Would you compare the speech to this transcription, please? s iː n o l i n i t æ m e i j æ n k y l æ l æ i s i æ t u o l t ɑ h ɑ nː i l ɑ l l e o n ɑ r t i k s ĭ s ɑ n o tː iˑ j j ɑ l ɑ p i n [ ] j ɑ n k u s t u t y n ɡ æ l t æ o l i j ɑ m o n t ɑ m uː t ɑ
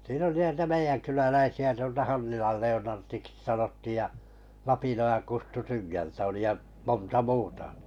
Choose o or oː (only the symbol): o